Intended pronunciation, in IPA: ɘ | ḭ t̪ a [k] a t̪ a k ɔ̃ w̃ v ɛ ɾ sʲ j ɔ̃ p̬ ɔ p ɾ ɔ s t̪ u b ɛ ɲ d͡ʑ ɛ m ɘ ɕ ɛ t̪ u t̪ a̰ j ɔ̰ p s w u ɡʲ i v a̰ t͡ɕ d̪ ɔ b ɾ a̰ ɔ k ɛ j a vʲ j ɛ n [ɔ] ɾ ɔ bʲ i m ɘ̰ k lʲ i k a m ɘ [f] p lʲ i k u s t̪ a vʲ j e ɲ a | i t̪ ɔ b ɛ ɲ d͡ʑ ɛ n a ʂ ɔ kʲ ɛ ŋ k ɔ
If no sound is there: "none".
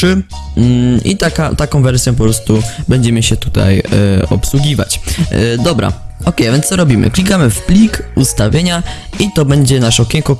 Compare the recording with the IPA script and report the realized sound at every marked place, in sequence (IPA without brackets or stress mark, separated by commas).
k, ɔ, f